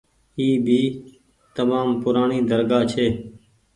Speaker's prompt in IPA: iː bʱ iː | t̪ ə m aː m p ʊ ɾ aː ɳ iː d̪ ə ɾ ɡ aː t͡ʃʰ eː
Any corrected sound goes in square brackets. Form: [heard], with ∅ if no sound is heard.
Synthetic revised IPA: iː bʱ iː | t̪ ə m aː m p ʊ ɾ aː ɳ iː d̪ ə ɾ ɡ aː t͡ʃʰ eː